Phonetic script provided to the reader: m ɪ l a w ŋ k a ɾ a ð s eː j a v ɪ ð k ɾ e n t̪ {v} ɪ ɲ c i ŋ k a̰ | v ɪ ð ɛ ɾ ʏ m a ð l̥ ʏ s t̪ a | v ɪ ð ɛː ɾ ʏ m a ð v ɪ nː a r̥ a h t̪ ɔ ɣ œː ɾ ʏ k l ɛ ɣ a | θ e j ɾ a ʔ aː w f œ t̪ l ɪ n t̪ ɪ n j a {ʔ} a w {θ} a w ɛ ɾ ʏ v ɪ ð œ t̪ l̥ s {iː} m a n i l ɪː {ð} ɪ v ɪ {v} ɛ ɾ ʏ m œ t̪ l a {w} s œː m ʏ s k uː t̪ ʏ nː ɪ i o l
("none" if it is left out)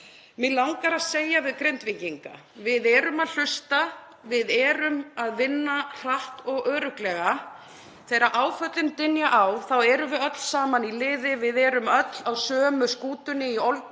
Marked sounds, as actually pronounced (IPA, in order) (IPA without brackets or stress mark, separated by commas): v, ʔ, θ, aː, ð, ð, w